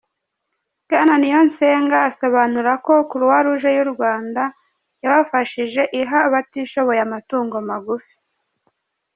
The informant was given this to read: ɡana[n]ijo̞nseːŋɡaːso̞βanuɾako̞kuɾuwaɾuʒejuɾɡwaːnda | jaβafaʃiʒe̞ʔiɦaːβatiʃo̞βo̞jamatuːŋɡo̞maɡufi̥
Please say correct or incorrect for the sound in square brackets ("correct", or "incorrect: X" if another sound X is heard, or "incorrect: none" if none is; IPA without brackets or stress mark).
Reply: correct